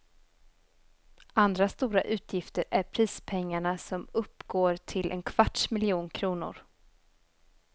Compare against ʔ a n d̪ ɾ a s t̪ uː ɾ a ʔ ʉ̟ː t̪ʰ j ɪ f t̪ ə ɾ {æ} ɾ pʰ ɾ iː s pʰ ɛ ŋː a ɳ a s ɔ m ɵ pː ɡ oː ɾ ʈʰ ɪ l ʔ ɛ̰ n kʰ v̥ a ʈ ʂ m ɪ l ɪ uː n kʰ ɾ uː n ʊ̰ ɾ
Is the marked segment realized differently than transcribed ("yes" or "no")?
no